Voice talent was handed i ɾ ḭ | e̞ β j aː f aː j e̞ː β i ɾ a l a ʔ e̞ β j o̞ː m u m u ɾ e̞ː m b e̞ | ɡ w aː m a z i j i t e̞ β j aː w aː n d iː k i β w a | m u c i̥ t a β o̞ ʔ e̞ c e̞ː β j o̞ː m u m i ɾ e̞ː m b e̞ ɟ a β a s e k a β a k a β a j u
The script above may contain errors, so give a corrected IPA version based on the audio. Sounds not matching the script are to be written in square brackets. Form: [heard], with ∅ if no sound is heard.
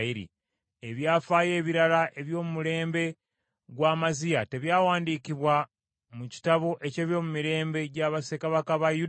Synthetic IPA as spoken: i ɾ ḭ | e̞ β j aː f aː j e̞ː β i ɾ a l a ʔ e̞ β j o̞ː m u m u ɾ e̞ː m b e̞ | ɡ w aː m a z i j [a] t e̞ β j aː w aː n d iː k i β w a | m u c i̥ t a β o̞ ʔ e̞ c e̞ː β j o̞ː m u m i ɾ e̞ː m b e̞ ɟ a β a s e k a β a k a β a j u